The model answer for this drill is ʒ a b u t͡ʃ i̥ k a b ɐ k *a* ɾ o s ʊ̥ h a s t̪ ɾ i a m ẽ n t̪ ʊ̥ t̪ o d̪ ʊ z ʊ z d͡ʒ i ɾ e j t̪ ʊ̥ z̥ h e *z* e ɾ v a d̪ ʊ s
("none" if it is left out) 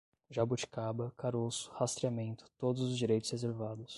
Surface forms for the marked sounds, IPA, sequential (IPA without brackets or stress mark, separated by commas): a, z